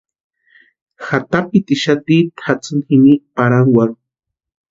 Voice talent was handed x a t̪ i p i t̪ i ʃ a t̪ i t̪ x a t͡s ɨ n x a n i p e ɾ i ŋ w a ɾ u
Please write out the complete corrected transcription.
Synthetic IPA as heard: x a t̪ a p i t̪ i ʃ a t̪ i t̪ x a t͡s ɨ n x i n i p a ɾ a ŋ w a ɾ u